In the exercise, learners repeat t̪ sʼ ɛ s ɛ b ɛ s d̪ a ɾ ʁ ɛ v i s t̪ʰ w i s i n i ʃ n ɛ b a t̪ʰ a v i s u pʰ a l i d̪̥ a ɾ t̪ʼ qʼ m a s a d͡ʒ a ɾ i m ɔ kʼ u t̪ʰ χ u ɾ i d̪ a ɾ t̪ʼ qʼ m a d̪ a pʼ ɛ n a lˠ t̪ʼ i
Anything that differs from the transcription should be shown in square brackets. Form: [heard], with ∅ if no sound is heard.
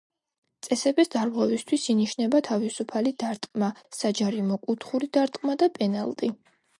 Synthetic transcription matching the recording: t̪ sʼ ɛ s ɛ b ɛ s d̪ a ɾ ʁ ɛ v i s t̪ʰ w i s i n i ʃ n ɛ b a t̪ʰ a v i s u pʰ a l i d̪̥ a ɾ t̪ʼ qʼ m a s a d͡ʒ a ɾ i m ɔ kʼ u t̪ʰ χ u ɾ i d̪ a ɾ t̪ʼ qʼ m a d̪ a pʼ ɛ n a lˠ t̪ʼ i